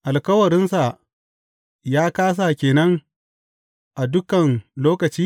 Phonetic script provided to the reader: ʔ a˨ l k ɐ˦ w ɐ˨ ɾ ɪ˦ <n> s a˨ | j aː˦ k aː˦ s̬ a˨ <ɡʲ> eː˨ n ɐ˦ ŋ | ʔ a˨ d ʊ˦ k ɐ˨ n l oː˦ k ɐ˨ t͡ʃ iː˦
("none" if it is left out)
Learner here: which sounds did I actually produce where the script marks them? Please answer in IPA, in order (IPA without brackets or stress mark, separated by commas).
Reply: n, kʲ